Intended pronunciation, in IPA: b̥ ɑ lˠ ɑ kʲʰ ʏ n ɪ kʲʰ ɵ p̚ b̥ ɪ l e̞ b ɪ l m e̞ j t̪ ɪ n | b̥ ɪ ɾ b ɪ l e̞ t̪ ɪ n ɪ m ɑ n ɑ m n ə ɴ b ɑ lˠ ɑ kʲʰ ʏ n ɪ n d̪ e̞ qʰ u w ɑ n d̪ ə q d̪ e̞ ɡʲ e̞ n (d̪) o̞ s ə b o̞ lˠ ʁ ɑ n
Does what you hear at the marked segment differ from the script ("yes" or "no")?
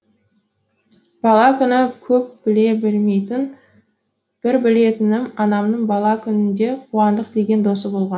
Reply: no